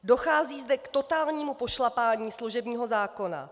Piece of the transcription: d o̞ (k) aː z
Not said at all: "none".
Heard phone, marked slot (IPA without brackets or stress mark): x